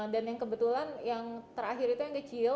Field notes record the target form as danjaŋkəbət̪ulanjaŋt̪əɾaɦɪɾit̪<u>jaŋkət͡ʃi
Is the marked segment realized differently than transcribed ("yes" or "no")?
no